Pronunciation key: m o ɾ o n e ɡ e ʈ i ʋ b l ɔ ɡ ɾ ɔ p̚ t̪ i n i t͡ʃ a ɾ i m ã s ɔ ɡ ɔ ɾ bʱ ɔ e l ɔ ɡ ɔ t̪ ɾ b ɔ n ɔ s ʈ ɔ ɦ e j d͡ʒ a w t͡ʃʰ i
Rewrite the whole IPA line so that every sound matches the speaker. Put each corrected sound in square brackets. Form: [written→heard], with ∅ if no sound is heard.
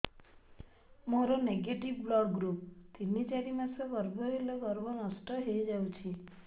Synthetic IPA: m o ɾ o n e ɡ e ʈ i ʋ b l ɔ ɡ ɾ [ɔ→u] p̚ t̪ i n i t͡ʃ a ɾ i m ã s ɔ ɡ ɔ ɾ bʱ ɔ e l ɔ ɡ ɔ [t̪→∅] ɾ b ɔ n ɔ s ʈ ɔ ɦ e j d͡ʒ a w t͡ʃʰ i